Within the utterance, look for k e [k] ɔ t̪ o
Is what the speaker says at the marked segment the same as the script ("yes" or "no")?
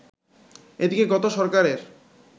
no